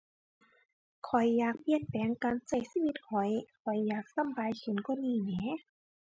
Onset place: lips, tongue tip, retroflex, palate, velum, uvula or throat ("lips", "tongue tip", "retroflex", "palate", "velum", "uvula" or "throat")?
velum